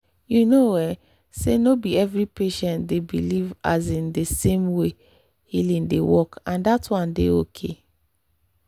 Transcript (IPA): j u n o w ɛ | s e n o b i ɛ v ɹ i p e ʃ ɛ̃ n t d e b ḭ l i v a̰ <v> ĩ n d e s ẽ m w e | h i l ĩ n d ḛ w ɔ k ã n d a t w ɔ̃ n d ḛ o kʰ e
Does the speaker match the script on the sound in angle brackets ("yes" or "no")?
no